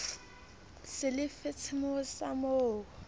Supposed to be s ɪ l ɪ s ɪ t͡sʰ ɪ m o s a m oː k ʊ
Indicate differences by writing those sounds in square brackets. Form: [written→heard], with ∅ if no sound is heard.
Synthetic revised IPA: s ɪ l ɪ [s→f] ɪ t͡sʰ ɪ m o s a m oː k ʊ